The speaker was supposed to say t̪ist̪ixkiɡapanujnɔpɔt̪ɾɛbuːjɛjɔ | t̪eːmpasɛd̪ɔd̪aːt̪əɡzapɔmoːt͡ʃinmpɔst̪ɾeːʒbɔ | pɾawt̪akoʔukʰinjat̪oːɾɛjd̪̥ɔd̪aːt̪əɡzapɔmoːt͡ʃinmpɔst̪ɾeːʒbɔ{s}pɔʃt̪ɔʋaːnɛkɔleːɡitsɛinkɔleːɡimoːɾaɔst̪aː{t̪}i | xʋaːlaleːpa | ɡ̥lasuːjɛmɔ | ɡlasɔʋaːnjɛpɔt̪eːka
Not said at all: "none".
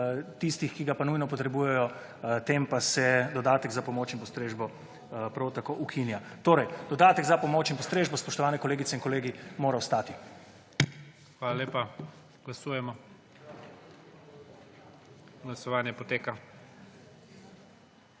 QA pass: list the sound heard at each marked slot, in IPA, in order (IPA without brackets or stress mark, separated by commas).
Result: s, t̪